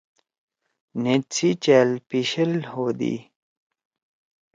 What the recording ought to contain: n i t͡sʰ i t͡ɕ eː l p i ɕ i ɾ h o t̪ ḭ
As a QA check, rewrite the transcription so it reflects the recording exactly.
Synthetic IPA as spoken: n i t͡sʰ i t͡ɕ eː l p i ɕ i l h o d̪ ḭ